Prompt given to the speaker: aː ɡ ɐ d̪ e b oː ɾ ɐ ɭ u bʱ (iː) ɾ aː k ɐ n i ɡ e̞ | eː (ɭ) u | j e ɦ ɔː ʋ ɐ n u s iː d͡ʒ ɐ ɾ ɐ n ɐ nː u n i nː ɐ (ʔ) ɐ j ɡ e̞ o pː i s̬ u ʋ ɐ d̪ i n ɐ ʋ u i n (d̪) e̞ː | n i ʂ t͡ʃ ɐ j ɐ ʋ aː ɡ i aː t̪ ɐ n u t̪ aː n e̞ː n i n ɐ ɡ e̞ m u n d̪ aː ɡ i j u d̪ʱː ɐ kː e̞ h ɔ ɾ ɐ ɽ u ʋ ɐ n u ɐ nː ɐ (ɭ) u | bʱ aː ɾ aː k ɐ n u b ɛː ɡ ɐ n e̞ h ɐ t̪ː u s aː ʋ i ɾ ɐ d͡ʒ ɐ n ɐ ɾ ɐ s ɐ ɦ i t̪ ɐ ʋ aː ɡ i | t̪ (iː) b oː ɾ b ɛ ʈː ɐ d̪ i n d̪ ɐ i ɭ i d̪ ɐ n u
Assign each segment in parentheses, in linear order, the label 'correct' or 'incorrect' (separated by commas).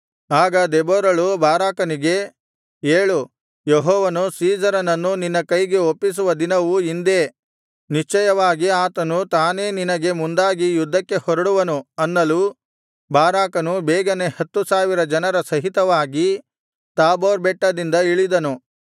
incorrect, correct, incorrect, correct, incorrect, incorrect